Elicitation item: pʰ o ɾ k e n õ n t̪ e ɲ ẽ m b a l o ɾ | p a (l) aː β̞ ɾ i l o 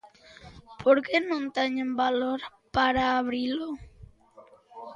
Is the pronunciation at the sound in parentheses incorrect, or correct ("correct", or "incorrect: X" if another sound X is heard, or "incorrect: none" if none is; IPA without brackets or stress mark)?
incorrect: ɾ